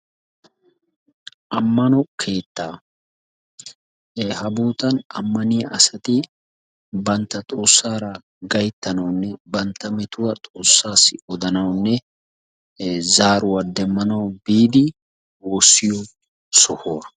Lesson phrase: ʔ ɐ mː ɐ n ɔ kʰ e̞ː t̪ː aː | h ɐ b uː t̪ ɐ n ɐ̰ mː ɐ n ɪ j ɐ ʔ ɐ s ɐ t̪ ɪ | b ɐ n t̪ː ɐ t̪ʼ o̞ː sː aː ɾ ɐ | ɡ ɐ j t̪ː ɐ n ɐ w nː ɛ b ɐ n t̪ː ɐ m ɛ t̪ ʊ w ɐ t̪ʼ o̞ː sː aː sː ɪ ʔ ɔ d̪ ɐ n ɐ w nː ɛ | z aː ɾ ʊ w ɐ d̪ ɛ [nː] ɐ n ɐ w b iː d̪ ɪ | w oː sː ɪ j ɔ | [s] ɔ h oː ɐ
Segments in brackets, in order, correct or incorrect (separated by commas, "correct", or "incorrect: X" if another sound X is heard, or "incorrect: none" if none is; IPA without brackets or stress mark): incorrect: mː, correct